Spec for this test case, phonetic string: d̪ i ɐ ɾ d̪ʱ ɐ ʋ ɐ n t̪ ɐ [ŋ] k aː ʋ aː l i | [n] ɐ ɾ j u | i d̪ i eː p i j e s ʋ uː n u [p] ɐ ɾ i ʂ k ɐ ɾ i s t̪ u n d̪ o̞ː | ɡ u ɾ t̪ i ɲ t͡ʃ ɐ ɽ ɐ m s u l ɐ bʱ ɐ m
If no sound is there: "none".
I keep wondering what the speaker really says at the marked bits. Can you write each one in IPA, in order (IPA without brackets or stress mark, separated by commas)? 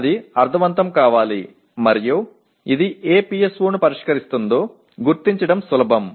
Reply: m, m, p